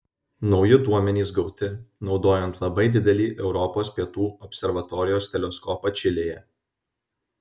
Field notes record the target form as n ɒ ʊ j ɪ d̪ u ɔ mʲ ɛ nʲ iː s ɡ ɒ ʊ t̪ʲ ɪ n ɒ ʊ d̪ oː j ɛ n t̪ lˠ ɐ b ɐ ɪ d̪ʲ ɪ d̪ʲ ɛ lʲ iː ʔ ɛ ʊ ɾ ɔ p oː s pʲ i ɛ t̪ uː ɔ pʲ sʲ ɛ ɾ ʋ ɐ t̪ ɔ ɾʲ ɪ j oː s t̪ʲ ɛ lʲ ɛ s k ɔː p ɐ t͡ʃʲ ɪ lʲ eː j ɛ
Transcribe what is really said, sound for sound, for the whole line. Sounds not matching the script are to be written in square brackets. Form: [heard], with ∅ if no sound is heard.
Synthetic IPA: n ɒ ʊ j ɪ d̪ u ɔ mʲ ɛ nʲ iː s ɡ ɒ ʊ t̪ʲ ɪ n ɒ ʊ d̪ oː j ɛ n t̪ lˠ ɐ b ɐ ɪ d̪ʲ ɪ d̪ʲ ɛ lʲ iː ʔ ɛ ʊ ɾ ɔ p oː s pʲ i ɛ t̪ uː ɔ pʲ sʲ ɛ ɾ ʋ ɐ t̪ ɔ ɾʲ ɪ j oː s t̪ʲ ɛ lʲ ɛ s k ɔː p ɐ t͡ʃʲ ɪ lʲ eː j ɛ